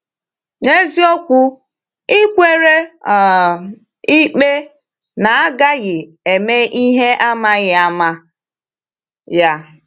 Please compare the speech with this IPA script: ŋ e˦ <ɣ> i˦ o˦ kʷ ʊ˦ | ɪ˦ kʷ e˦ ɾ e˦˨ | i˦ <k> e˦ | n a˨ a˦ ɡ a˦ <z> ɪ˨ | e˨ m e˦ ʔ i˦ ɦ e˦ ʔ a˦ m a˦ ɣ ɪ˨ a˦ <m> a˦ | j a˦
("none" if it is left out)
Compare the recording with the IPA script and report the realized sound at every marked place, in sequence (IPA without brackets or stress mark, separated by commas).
z, k͡p, ɣ, m